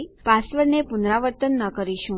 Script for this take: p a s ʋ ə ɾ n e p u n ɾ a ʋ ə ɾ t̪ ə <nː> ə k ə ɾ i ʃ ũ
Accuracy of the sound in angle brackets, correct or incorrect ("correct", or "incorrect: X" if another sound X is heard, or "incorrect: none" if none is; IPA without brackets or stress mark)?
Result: correct